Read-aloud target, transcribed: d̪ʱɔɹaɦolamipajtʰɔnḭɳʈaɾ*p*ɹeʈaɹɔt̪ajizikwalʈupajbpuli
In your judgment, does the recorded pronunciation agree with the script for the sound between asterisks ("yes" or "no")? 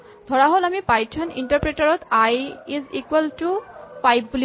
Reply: yes